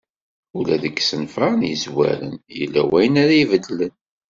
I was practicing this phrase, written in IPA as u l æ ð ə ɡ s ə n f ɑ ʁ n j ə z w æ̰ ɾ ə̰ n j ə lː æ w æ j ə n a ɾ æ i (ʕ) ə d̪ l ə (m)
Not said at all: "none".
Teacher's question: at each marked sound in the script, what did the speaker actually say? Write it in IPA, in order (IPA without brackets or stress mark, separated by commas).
v, n